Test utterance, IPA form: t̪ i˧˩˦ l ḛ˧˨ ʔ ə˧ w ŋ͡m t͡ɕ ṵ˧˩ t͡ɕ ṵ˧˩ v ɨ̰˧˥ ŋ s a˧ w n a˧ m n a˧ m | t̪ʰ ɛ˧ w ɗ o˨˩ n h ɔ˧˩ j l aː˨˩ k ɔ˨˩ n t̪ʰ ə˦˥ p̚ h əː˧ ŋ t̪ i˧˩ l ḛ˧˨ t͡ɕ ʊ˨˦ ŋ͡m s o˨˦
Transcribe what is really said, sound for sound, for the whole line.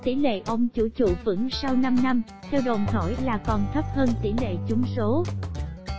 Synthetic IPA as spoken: t̪ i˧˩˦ l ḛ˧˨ ʔ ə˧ w ŋ͡m t͡ɕ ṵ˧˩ t͡ɕ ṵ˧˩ v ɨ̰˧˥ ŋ s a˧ w n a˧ m n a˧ m | t̪ʰ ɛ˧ w ɗ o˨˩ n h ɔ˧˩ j l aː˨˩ k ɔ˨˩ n t̪ʰ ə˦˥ p̚ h əː˧ n t̪ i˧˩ l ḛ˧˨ t͡ɕ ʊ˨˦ ŋ͡m s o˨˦